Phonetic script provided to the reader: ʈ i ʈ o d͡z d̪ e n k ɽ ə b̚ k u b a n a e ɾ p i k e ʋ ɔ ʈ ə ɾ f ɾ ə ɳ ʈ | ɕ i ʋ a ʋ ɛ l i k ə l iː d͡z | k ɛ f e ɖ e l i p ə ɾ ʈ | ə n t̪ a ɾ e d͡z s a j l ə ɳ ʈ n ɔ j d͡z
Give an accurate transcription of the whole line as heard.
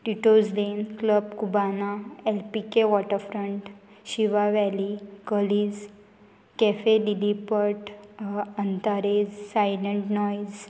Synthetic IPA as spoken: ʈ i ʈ o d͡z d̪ e n k l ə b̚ k u b a n a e l p i k e ʋ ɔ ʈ ə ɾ f ɾ ə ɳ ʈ | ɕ i ʋ a ʋ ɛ l i k ə l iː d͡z | k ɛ f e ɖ i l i p ə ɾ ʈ | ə n t̪ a ɾ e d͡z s a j l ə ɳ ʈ n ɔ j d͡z

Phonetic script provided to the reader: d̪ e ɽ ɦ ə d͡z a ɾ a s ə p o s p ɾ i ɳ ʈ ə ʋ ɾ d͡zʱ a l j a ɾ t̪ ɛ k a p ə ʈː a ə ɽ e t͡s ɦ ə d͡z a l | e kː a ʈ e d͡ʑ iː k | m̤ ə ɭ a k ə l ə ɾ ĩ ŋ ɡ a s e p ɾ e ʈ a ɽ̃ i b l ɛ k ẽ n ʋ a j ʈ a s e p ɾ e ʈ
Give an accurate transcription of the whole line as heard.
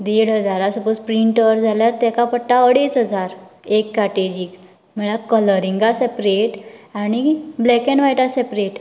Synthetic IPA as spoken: d̪ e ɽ ɦ ə d͡z a ɾ a s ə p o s p ɾ i ɳ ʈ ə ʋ ɾ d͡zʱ a l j a ɾ t̪ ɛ k a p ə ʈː a ə ɽ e t͡s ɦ ə d͡z a ɾ | e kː a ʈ e d͡ʑ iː k | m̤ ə ɭ a k ə l ə ɾ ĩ ŋ ɡ a s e p ɾ e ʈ a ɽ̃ i b l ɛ k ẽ n ʋ a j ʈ a s e p ɾ e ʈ

